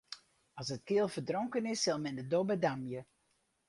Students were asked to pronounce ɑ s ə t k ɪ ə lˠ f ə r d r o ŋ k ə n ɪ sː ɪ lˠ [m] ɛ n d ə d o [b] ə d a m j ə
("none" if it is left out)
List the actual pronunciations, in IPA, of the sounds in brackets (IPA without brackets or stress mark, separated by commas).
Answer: m, b